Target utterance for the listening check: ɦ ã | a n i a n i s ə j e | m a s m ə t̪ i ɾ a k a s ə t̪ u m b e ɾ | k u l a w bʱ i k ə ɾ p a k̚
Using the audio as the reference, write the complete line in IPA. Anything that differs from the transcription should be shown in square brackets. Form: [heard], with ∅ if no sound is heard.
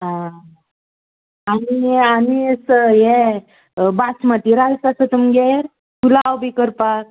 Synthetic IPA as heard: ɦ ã | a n i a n i s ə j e | [b] a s m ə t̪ i ɾ a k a s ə t̪ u m [ɡ] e ɾ | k u l a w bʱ i k ə ɾ p a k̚